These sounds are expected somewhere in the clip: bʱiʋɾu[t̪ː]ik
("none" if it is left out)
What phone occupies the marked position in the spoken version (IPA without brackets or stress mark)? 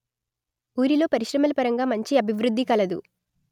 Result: d̪ː